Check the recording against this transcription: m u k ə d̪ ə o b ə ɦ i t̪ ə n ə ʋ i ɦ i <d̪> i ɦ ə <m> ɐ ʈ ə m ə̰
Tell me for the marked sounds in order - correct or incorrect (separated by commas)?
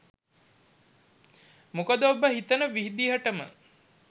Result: correct, incorrect